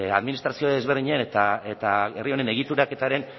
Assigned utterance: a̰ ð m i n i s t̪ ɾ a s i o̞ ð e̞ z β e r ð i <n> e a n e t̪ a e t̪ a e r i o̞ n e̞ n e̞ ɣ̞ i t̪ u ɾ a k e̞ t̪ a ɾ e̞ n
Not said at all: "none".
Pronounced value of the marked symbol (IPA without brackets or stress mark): ɲ